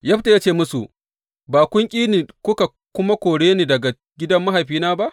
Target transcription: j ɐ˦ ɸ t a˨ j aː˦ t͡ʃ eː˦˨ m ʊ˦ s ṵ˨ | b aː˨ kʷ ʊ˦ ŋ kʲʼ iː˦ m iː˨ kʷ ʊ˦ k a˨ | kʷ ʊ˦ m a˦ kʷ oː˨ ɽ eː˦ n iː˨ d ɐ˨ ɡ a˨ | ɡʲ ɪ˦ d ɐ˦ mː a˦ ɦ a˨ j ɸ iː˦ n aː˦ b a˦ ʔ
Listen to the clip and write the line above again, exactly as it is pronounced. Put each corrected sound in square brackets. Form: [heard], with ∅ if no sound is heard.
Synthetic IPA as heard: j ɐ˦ ɸ t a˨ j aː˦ t͡ʃ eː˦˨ m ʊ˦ s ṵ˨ | b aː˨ kʷ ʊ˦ ŋ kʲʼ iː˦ [n] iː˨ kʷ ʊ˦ k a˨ | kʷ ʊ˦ m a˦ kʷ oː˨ ɽ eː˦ n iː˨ d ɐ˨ ɡ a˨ | ɡʲ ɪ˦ d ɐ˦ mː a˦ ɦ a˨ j ɸ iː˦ n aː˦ b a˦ ʔ